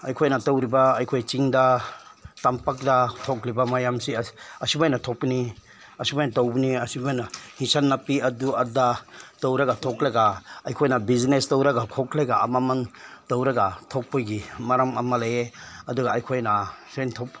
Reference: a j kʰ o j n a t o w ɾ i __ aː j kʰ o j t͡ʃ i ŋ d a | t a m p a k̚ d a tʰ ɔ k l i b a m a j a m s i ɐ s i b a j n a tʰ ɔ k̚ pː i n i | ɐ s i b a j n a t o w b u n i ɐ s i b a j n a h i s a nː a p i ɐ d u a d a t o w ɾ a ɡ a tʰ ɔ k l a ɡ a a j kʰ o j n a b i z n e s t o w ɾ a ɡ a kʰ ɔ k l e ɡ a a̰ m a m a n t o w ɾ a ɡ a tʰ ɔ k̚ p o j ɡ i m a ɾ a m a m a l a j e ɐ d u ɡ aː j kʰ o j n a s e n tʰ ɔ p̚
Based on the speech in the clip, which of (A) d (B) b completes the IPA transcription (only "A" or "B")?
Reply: B